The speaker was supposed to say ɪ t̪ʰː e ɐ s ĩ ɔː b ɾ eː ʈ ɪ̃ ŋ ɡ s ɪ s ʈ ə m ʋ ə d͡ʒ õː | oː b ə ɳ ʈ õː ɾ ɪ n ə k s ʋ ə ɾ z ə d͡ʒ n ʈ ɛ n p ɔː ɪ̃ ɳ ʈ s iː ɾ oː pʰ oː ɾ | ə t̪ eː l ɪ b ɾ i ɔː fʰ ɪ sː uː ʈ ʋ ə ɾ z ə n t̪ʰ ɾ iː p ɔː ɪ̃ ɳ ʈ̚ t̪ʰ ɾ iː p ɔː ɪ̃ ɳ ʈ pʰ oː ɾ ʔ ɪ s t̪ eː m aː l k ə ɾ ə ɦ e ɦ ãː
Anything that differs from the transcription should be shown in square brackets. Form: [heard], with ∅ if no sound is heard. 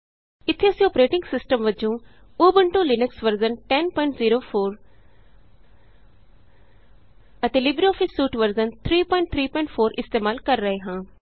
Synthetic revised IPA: ɪ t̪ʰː e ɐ s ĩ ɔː [p] ɾ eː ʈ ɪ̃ ŋ ɡ s ɪ s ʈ ə m ʋ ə d͡ʒ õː | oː b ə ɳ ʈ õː [l] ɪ n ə k s ʋ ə ɾ z ə [∅] n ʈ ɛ n p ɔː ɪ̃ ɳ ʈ [z] iː ɾ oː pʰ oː ɾ | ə t̪ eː l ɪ b ɾ i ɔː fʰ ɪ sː uː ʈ ʋ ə ɾ z ə n t̪ʰ ɾ iː p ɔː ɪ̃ ɳ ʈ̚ t̪ʰ ɾ iː p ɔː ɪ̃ ɳ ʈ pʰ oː ɾ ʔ ɪ s t̪ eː m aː l k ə [ɾː] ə ɦ e ɦ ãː